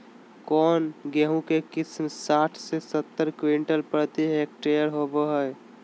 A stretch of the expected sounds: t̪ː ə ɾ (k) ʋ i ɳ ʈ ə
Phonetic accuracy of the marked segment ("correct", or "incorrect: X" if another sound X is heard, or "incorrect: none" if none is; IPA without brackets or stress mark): correct